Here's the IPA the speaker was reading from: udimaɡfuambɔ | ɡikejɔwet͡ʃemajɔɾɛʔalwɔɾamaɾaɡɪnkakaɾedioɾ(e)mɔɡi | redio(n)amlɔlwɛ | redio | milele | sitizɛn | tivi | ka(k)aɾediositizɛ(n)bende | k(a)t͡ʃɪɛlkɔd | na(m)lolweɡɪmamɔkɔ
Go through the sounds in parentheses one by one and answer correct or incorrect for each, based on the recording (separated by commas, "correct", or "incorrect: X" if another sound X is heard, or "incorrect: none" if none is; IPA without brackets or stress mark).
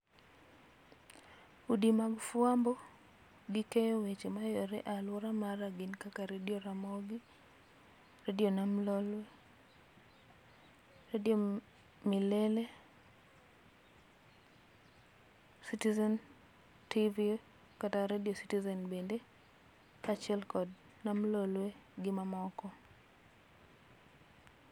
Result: incorrect: a, correct, incorrect: t, correct, correct, correct